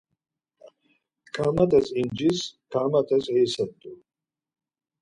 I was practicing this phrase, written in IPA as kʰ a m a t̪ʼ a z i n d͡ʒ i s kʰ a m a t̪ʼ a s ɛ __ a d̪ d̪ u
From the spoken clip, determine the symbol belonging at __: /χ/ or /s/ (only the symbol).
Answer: s